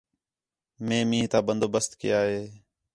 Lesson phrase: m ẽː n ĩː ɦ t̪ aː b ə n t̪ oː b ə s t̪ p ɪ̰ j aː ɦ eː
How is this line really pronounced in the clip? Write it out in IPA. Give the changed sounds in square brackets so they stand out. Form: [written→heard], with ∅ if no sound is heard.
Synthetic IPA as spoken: m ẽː [n→m] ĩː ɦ t̪ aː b ə n [t̪→d̪] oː b ə s t̪ [p→k] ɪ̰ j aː ɦ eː